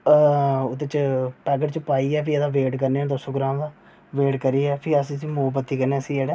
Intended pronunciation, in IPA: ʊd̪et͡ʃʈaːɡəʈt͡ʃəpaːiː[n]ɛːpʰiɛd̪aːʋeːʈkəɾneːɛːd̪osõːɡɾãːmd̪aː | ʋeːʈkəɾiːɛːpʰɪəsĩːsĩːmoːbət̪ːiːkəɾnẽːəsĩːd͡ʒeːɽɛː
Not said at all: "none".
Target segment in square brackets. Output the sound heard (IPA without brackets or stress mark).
none